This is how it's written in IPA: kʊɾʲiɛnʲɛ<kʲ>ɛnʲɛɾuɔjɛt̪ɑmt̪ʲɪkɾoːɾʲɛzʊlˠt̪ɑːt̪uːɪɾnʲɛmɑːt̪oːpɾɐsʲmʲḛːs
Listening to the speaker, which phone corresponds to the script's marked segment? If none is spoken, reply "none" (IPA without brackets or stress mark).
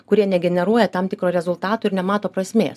ɡʲ